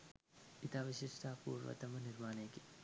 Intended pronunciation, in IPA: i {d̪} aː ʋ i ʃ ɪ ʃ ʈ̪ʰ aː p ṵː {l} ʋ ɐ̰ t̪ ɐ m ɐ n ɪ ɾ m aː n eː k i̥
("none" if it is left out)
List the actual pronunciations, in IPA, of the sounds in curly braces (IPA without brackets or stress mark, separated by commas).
t̪, ɾ